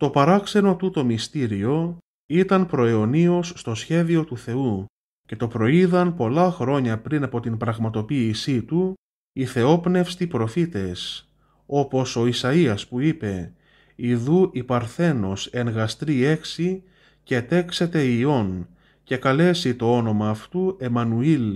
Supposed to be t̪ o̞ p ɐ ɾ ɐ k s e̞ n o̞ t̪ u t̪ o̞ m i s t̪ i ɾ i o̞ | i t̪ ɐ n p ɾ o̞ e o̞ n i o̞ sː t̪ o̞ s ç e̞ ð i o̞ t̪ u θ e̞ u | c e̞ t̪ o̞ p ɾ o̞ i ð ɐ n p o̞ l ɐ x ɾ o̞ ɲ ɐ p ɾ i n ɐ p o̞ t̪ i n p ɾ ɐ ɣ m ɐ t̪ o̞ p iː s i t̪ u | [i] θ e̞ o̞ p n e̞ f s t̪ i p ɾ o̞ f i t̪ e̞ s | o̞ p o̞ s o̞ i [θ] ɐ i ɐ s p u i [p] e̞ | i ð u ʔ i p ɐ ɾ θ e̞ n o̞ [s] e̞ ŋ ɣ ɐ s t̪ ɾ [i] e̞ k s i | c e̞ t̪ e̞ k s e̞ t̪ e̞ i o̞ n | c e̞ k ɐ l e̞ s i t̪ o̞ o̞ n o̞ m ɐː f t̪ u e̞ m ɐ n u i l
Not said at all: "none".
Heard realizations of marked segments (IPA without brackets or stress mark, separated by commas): i, s, p, s, i